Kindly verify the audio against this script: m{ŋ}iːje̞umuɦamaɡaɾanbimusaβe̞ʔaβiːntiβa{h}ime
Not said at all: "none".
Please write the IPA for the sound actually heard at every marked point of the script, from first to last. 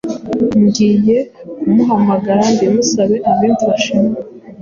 ɡ, ʃ

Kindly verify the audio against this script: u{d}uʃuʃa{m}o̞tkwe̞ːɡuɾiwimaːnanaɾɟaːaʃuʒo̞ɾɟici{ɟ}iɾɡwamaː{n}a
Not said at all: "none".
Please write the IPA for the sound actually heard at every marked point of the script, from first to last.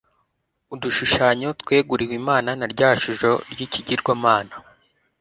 d, ɲ, ɟ, n

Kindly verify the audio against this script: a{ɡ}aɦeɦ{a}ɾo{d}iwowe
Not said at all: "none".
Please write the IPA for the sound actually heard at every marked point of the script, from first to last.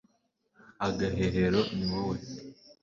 ɡ, e, n

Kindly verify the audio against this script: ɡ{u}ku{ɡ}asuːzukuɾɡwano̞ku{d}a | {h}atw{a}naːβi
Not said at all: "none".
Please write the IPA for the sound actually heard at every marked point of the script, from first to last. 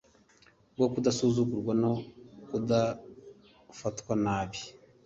o, d, d, f, a

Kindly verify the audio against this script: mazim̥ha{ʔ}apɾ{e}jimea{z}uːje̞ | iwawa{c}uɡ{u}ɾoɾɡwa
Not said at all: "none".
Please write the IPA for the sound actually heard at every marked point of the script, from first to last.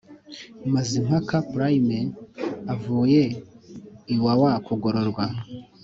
k, a, v, k, o

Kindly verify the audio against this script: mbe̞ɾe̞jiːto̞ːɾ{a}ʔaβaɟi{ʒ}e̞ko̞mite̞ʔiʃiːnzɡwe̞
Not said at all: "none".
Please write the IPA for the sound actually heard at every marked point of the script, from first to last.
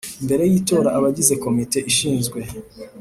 a, z

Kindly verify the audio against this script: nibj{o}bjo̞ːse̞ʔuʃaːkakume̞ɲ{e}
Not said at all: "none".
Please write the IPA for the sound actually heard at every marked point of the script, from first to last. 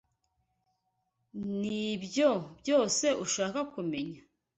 o, a

